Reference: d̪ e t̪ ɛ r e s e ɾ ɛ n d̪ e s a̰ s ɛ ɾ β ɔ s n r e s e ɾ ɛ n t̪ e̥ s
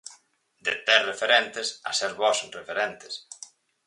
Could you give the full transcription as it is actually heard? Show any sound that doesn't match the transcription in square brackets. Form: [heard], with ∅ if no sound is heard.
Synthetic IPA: d̪ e t̪ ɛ r e [f] e ɾ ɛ n [t̪] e s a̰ s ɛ ɾ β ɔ s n r e [f] e ɾ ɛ n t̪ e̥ s